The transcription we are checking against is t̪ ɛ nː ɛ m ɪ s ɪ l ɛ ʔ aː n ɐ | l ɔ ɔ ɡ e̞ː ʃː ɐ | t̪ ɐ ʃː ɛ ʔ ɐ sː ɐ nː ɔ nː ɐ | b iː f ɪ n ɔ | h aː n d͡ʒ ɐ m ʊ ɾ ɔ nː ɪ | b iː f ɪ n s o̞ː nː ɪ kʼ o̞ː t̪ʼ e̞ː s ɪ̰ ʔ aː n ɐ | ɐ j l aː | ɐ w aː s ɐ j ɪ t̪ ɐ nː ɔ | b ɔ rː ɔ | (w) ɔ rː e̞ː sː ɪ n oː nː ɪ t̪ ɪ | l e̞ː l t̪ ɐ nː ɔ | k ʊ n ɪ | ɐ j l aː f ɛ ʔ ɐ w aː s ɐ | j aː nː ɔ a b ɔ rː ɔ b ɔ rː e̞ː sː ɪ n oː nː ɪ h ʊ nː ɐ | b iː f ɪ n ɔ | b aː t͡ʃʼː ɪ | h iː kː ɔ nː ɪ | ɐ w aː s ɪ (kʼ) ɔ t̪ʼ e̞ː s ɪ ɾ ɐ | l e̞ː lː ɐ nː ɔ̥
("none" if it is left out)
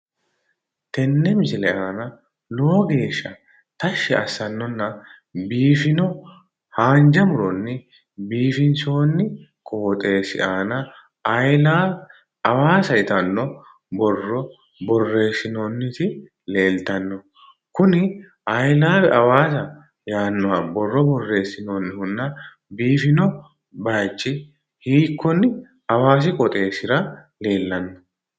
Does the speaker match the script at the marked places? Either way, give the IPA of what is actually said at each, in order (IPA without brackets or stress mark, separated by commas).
b, kʼ